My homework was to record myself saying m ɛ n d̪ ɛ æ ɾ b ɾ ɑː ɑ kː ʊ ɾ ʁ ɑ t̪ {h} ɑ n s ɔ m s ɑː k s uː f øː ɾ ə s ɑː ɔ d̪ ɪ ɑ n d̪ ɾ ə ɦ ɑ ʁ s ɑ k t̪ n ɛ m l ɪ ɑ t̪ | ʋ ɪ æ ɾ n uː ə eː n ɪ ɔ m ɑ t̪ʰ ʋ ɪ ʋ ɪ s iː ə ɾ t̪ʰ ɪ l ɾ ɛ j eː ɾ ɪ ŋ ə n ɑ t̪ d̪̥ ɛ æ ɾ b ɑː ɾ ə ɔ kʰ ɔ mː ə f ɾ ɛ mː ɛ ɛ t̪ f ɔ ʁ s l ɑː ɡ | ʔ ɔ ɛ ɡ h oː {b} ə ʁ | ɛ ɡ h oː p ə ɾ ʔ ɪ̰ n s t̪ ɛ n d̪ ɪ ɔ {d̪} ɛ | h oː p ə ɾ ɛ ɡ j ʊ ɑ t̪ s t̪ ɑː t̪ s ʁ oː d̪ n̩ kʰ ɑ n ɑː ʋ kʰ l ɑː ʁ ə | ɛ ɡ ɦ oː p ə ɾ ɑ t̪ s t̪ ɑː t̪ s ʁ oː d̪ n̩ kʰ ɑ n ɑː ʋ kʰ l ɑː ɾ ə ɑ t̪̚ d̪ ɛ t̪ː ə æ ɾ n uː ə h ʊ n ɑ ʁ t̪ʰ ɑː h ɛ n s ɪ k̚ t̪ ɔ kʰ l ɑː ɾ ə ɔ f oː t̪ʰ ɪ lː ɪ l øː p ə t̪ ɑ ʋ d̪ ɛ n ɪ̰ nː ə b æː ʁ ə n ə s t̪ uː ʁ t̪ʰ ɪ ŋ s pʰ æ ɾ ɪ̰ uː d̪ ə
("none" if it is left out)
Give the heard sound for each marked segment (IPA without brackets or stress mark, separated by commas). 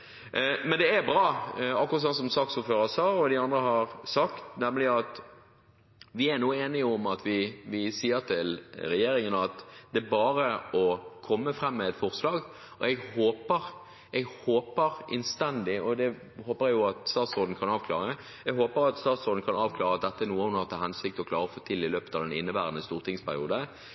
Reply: s, p, d̪